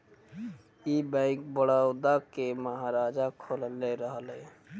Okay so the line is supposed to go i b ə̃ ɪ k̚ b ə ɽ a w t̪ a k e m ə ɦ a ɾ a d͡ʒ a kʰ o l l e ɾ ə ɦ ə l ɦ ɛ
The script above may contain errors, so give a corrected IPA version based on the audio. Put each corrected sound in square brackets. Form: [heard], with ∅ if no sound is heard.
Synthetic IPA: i b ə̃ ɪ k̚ b ə ɽ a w [d̪] a k e m ə ɦ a ɾ a d͡ʒ a kʰ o l l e ɾ ə ɦ ə l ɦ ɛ